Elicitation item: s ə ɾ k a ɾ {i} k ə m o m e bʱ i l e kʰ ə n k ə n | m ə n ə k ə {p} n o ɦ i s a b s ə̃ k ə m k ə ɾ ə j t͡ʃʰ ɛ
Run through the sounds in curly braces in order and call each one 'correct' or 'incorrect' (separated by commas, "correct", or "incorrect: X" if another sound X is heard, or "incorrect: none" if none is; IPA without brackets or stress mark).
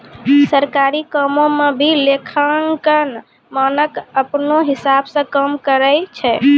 correct, correct